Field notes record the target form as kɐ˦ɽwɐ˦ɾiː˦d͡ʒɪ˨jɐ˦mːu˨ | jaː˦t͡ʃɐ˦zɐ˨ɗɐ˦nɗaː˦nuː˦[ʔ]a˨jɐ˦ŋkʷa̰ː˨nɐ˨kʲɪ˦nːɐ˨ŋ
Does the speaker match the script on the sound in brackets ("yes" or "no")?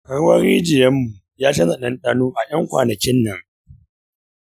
yes